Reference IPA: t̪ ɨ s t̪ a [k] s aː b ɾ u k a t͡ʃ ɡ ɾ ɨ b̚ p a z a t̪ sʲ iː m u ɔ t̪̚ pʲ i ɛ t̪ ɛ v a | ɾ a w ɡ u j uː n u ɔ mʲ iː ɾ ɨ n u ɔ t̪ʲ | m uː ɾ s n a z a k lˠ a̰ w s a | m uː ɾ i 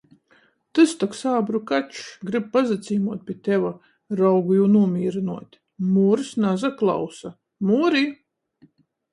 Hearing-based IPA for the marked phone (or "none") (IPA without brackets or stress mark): k